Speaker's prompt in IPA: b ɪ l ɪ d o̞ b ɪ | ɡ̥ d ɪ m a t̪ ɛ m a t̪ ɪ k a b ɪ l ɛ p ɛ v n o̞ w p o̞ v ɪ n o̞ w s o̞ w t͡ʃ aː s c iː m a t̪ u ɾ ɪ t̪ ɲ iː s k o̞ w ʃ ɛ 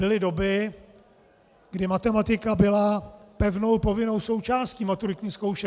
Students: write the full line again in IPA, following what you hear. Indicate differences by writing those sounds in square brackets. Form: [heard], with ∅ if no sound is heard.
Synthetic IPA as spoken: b ɪ l ɪ d o̞ b ɪ | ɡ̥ d ɪ m a t̪ ɛ m a t̪ ɪ k a b ɪ l [a] p ɛ v n o̞ w p o̞ v ɪ n o̞ w s o̞ w t͡ʃ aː s c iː m a t̪ u ɾ ɪ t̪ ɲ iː s k o̞ w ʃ ɛ